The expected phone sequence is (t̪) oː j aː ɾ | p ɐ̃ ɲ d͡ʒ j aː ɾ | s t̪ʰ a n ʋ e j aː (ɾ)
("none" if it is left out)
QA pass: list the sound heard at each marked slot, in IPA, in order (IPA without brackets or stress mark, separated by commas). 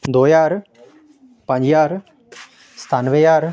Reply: d̪, ɾ